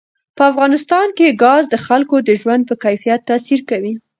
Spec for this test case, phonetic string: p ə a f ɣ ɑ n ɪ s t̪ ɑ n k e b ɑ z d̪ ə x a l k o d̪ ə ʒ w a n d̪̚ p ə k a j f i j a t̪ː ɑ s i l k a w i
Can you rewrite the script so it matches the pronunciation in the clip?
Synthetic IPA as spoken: p ə a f ɣ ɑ n ɪ s t̪ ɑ n k e ɡ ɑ z d̪ ə x a l k o d̪ ə ʒ w a n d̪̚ p ə k a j f i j a t̪ː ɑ s i ɾ k a w i